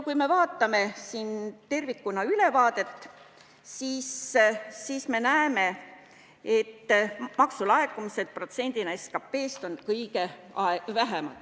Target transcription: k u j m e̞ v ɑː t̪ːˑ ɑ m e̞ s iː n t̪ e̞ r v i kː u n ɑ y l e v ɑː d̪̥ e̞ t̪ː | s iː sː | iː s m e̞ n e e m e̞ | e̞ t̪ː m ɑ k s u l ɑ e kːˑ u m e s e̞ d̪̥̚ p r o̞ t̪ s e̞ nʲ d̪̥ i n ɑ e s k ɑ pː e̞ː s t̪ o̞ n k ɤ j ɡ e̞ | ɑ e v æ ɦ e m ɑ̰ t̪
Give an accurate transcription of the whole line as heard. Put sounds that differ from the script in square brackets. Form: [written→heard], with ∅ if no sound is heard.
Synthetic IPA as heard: k u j m e̞ v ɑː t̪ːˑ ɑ m e̞ s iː n t̪ e̞ r v i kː u n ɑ y l e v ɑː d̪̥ e̞ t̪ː | s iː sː | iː s m e̞ n [e→æ] e m e̞ | e̞ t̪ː m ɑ k s u l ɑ e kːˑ u m [e→i] s e̞ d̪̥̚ p r o̞ t̪ s e̞ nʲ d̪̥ i n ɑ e s k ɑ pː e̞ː s t̪ o̞ n k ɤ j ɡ e̞ | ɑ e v æ ɦ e m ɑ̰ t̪